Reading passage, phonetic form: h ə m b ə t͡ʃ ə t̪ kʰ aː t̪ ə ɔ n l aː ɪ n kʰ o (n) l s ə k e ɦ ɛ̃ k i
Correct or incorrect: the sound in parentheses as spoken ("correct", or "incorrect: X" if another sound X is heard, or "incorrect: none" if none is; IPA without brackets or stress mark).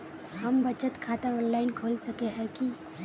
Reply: incorrect: none